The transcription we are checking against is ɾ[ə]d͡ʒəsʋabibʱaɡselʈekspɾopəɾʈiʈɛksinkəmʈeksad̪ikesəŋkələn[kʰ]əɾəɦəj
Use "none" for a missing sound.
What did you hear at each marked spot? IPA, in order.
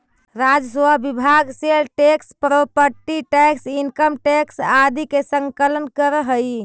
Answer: a, k

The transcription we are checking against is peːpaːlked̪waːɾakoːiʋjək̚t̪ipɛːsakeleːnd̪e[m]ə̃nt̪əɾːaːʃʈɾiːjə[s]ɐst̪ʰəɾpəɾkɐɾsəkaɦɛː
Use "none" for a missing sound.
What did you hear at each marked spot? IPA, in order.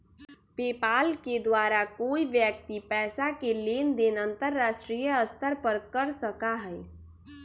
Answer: n, none

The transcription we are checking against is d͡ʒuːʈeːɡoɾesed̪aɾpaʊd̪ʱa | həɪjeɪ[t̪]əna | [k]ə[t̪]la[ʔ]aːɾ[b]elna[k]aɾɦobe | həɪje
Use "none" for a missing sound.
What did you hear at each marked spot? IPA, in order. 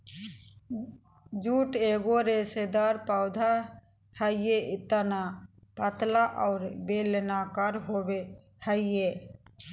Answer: t̪, p, t̪, ʔ, b, k

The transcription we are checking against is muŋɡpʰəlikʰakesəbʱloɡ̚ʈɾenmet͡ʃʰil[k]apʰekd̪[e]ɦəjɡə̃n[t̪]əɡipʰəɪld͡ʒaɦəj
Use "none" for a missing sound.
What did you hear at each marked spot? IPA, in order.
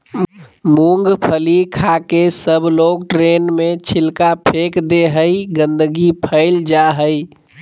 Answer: k, e, d̪

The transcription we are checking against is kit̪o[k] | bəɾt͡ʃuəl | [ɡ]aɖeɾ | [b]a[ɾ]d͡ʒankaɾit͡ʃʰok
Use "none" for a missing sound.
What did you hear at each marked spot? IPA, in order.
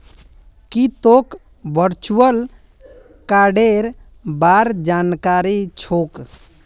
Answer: k, k, b, ɾ

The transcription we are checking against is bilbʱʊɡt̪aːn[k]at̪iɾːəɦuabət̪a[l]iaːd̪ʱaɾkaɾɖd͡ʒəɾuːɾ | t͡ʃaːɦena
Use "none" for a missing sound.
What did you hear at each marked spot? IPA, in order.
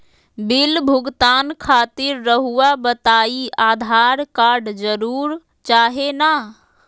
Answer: kʰ, none

